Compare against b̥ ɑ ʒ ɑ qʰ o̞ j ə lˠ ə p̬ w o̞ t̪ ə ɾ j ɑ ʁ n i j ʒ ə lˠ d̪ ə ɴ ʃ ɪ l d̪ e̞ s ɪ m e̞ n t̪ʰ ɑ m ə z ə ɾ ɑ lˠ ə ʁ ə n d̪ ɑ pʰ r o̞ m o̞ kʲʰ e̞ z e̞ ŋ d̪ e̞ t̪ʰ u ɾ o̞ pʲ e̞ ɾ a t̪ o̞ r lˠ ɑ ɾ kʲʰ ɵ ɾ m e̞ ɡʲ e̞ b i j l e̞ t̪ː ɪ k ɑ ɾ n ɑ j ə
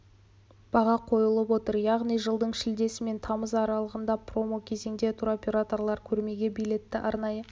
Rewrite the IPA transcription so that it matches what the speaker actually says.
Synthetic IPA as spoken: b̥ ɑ ʁ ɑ qʰ o̞ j ə lˠ ə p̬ w o̞ t̪ ə ɾ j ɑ ʁ n i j ʒ ə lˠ d̪ ə ɴ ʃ ɪ l d̪ e̞ s ɪ m e̞ n t̪ʰ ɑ m ə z ɑ ɾ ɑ lˠ ə ʁ ə n d̪ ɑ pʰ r o̞ m o̞ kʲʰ e̞ z e̞ ŋ d̪ e̞ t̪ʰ u ɾ o̞ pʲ e̞ ɾ a t̪ o̞ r lˠ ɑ ɾ kʲʰ ɵ ɾ m e̞ ɡʲ e̞ b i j l e̞ t̪ː ɪ ʔ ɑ ɾ n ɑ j ə